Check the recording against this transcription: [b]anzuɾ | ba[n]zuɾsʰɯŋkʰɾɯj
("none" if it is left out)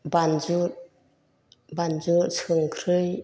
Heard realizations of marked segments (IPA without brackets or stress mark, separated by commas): b, n